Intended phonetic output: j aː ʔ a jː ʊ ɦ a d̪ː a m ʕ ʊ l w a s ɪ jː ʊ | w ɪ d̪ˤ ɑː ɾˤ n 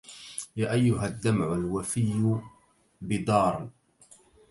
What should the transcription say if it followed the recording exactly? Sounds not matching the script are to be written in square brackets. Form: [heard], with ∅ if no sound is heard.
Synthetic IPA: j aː ʔ a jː ʊ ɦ a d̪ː a m ʕ ʊ l w a [f] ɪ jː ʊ | [b] ɪ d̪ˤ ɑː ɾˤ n